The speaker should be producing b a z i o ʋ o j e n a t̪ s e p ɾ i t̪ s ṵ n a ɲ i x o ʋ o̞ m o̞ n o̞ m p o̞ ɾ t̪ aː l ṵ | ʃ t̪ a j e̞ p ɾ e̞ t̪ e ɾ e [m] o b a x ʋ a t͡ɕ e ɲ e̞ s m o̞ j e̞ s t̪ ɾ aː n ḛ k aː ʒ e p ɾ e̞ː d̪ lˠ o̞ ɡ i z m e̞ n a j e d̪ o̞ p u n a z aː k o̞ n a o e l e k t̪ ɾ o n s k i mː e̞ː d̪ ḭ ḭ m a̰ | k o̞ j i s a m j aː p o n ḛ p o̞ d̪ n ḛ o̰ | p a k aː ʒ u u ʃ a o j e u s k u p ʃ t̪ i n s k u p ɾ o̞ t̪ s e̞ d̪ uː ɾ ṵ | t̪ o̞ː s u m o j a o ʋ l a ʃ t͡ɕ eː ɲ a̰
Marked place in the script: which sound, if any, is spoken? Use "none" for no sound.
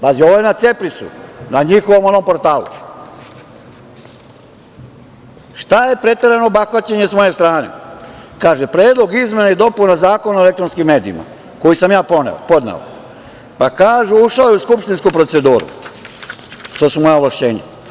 n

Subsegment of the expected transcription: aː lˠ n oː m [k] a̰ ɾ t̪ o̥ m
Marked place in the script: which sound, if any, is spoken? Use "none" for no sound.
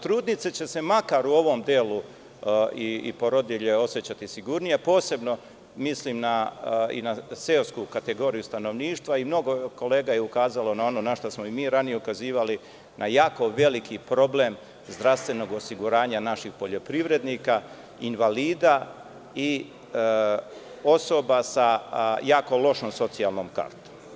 k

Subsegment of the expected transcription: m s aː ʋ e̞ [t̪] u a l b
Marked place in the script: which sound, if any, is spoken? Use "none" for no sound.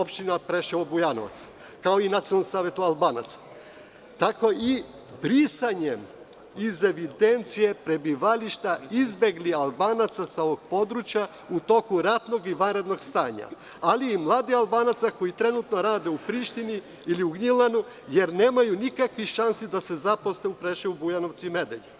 t̪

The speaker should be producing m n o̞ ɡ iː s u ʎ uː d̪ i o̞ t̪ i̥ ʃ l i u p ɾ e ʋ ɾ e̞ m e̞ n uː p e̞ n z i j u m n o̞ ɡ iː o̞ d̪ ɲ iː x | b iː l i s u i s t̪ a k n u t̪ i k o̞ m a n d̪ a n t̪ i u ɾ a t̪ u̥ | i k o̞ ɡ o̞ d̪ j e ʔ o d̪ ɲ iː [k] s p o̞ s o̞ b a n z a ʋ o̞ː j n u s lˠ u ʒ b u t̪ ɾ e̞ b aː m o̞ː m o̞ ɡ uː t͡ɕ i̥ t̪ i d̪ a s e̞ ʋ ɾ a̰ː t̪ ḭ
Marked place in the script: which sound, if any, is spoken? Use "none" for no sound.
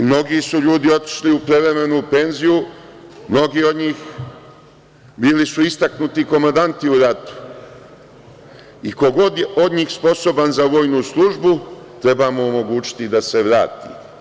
x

